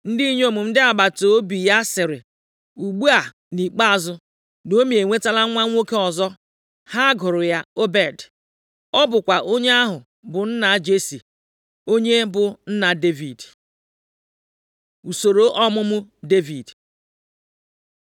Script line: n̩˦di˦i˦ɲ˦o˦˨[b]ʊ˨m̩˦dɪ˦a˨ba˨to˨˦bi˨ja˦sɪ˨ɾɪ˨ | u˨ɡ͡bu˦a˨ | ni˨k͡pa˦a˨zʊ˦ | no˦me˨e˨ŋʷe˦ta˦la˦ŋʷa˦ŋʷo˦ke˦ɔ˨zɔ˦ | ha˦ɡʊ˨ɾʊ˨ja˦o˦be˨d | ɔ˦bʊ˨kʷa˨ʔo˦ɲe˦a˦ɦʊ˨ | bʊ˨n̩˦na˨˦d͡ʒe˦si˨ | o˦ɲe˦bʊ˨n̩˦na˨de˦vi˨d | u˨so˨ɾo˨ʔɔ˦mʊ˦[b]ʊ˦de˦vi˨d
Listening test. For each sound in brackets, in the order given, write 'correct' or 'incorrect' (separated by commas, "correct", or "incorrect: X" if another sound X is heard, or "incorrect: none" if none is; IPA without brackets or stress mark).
incorrect: m, incorrect: m